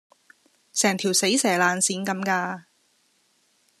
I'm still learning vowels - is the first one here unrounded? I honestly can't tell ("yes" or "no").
yes